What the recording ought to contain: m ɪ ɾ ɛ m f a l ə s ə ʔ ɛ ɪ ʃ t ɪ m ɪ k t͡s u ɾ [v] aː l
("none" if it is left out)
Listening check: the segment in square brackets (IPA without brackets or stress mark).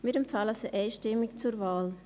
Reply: v